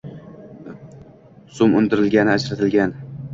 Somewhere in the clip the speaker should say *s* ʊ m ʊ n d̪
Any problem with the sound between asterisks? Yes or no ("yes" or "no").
no